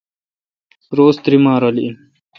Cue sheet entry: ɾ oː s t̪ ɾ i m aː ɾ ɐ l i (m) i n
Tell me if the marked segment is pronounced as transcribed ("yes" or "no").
no